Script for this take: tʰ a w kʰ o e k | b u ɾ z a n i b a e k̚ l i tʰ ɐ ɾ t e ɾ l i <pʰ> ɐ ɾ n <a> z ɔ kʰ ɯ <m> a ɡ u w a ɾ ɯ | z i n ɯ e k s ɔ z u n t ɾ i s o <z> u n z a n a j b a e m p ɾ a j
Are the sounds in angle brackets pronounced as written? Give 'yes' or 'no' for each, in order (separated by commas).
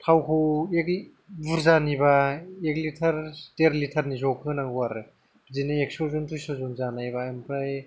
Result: no, no, no, yes